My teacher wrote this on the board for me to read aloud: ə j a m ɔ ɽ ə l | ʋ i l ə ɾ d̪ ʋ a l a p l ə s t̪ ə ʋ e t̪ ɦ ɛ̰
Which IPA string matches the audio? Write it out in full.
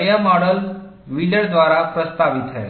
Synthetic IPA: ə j a m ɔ ɽ ə l | ʋ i l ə ɽ d̪ ʋ a ɾ a p ɾ ə s t̪ a ʋ i t̪ ɦ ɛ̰